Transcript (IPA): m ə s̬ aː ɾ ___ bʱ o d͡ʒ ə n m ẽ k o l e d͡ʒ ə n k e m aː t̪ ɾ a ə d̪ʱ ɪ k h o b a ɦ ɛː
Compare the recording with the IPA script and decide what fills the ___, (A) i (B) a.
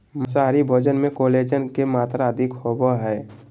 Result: A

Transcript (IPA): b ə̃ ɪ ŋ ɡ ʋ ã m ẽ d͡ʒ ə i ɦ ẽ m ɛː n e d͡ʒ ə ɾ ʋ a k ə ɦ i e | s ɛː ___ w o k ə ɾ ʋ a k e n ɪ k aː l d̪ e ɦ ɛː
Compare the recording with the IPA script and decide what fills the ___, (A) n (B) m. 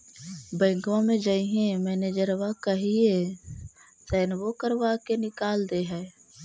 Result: A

